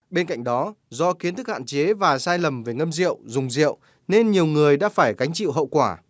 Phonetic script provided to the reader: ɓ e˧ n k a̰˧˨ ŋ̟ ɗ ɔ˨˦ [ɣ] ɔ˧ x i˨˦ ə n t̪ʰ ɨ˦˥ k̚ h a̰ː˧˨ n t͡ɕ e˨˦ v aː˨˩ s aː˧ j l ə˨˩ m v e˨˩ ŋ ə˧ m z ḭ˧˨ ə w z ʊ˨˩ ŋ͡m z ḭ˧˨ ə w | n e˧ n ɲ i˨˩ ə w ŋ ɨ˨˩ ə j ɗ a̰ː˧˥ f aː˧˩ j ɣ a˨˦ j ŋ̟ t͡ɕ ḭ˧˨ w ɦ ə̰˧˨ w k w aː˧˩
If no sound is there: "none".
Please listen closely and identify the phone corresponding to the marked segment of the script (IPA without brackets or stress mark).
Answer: z